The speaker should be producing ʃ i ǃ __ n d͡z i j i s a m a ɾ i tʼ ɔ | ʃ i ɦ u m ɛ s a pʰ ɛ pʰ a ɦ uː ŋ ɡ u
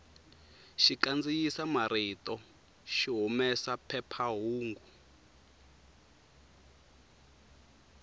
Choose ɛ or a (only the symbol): a